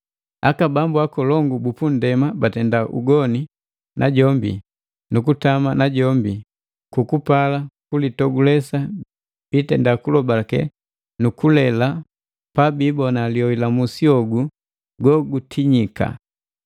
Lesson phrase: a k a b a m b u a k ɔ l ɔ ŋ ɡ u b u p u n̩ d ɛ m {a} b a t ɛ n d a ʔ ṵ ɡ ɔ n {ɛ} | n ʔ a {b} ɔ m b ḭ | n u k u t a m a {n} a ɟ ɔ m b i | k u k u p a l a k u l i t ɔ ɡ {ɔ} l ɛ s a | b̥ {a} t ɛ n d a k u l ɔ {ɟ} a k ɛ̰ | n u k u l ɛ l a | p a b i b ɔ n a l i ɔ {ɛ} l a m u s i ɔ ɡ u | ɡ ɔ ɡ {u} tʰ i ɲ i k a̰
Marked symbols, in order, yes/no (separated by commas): yes, no, no, yes, no, no, no, no, yes